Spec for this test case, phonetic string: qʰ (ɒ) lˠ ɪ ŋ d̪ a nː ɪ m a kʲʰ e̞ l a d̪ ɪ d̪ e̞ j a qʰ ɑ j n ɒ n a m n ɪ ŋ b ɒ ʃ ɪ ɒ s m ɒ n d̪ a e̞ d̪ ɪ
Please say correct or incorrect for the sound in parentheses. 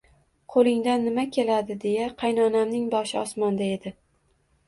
incorrect: o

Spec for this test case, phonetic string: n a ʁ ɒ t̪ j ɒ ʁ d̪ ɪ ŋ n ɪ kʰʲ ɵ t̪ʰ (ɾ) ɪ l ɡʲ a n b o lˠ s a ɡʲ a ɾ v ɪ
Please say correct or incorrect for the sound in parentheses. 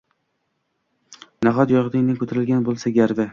correct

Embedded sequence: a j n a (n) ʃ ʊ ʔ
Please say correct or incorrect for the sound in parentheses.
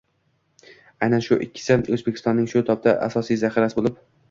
correct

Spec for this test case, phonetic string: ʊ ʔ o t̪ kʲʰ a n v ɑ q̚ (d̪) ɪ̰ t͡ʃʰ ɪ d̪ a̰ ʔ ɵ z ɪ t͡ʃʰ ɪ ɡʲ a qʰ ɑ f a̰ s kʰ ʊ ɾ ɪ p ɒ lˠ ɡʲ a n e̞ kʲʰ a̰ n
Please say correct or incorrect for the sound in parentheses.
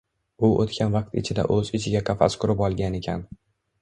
incorrect: t̪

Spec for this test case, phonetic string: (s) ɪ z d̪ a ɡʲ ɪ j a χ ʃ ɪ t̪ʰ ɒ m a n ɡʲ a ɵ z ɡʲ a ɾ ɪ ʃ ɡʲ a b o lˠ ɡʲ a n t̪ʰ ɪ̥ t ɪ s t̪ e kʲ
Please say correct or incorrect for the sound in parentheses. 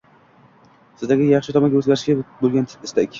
correct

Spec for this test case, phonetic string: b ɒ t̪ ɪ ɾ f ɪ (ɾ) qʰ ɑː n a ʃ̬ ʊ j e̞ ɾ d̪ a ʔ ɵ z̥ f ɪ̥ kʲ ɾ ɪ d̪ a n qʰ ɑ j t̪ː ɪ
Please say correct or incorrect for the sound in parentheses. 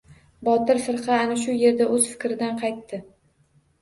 correct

